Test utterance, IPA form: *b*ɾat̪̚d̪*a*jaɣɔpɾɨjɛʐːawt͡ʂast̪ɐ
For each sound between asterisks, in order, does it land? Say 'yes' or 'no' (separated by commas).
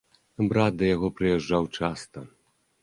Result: yes, no